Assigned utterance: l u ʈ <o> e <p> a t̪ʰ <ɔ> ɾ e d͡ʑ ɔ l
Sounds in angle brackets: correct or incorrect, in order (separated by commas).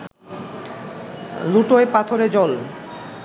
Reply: correct, correct, incorrect